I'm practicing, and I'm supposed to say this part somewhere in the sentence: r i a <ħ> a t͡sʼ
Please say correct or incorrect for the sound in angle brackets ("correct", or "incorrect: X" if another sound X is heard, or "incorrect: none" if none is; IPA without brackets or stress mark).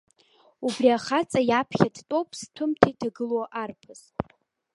incorrect: χ